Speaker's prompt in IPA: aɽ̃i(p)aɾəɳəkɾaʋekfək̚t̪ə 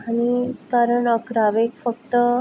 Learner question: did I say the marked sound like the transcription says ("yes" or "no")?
no